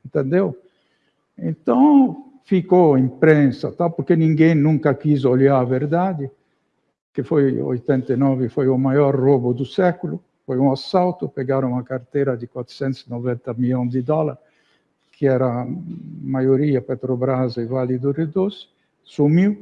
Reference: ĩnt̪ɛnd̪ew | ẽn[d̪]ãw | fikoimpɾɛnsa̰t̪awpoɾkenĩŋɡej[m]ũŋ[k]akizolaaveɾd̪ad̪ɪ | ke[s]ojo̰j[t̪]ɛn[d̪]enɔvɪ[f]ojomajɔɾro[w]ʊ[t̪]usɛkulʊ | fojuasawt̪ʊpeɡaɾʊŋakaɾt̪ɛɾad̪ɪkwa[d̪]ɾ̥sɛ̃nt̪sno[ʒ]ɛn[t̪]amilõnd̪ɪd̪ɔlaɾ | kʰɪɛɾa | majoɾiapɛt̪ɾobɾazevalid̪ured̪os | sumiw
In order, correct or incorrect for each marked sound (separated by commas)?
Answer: incorrect, incorrect, correct, incorrect, correct, incorrect, correct, incorrect, incorrect, incorrect, incorrect, correct